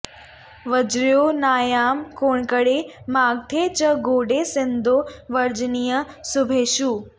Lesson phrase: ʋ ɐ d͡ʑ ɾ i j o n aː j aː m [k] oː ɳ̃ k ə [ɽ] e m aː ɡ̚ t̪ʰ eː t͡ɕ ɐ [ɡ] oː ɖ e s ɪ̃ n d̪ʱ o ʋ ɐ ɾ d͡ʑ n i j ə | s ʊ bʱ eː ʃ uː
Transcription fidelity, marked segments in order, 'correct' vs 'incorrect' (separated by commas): correct, correct, correct